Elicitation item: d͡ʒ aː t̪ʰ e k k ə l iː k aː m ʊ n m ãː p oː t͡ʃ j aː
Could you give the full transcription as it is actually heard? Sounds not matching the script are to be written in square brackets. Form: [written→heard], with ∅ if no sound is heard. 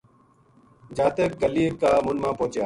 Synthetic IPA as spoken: d͡ʒ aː [t̪ʰ→t̪] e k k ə l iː k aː m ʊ n m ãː p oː t͡ʃ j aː